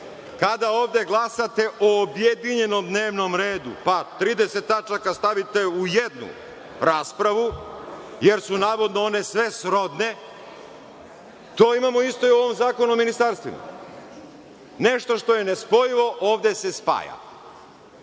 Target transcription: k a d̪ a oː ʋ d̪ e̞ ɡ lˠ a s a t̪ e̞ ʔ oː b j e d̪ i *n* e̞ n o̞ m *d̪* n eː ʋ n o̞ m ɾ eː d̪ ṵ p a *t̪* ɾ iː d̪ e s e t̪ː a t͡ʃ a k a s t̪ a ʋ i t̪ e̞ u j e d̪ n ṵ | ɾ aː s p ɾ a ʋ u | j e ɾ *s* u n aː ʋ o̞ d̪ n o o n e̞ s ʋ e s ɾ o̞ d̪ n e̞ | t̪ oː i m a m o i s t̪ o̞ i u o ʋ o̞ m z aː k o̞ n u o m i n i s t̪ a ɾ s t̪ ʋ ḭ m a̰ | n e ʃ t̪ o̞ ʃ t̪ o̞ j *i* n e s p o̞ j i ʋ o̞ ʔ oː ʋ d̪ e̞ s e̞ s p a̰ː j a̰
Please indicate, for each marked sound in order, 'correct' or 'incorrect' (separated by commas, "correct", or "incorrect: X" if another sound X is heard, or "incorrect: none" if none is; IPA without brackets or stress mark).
incorrect: ɲ, correct, correct, correct, incorrect: e